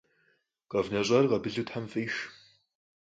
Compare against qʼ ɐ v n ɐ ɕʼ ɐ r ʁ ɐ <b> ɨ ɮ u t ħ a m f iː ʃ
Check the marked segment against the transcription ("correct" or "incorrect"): correct